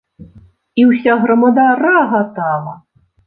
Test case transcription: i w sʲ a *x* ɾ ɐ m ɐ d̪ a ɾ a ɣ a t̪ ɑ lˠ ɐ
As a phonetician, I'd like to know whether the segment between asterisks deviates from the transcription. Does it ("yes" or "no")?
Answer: yes